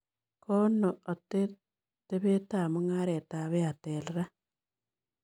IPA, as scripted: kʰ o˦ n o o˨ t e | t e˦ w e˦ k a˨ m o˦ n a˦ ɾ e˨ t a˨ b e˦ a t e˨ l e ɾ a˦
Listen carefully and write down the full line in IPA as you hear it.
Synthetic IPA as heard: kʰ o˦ n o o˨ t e | t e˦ β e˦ t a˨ m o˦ ŋ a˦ ɾ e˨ t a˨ β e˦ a t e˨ l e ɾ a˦